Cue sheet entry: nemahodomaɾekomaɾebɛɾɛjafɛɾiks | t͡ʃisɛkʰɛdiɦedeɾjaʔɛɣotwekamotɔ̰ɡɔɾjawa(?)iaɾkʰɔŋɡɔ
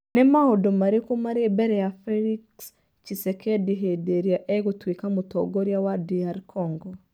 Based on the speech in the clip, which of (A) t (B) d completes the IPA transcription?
B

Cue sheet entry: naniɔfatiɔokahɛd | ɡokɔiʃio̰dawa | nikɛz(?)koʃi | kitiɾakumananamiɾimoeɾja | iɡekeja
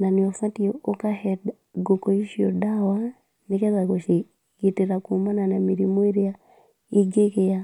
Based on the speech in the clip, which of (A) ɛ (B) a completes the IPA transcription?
B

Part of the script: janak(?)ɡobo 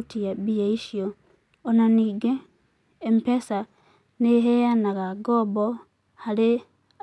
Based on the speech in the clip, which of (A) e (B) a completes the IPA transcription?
B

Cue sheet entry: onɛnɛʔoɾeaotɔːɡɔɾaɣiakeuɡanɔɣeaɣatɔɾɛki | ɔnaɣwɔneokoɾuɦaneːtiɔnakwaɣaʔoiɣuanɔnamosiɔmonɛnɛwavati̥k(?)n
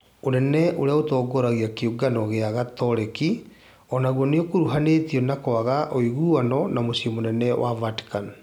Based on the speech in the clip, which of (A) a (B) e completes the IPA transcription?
A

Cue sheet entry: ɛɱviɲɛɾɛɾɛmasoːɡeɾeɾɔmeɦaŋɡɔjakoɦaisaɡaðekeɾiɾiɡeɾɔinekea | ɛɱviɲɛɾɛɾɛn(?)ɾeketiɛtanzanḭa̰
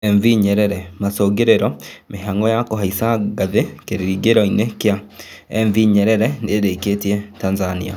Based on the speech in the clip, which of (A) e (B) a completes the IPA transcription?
A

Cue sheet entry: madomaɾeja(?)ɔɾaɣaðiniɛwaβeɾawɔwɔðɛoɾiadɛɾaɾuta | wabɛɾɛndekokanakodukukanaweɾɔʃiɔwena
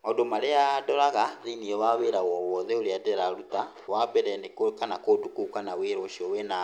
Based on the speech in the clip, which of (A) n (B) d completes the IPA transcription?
B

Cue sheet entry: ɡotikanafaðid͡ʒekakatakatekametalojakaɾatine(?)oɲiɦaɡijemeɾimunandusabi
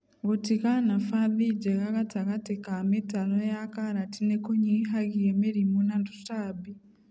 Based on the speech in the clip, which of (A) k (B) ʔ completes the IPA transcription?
A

